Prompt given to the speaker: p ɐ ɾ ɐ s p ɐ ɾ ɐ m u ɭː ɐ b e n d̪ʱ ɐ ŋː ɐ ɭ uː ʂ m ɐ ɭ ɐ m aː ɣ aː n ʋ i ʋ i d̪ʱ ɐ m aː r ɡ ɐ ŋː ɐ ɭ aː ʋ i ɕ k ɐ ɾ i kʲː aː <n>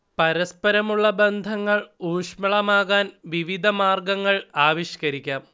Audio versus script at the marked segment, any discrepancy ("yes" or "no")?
yes